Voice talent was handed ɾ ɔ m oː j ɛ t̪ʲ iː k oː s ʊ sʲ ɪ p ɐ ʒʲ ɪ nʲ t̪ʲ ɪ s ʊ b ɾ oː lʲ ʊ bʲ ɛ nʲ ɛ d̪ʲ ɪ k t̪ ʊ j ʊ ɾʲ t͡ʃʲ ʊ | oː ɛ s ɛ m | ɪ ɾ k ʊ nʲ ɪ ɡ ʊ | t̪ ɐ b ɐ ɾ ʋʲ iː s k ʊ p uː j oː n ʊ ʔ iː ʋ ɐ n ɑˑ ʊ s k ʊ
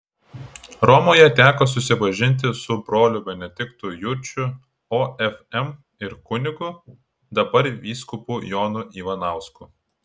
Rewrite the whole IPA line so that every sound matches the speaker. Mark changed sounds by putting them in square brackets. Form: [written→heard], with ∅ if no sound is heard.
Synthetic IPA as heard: ɾ ɔ m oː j ɛ t̪ʲ [iː→æː] k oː s ʊ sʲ ɪ p ɐ ʒʲ ɪ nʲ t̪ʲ ɪ s ʊ b ɾ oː lʲ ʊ bʲ ɛ nʲ ɛ d̪ʲ ɪ k t̪ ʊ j ʊ ɾʲ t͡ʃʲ ʊ | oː ɛ [s→f] ɛ m | ɪ ɾ k ʊ nʲ ɪ ɡ ʊ | [t̪→d̪] ɐ b ɐ ɾ ʋʲ iː s k ʊ p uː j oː n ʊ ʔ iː ʋ ɐ n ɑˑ ʊ s k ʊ